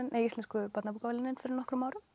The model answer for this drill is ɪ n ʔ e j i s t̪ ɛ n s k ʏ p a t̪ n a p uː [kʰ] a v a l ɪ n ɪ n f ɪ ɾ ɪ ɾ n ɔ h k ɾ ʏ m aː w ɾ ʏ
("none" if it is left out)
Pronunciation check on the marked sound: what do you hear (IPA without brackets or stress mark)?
k